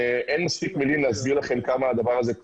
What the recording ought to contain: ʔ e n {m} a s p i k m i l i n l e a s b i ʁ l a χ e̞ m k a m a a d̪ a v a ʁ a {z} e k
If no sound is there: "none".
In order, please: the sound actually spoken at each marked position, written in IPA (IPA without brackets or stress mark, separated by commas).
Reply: m, z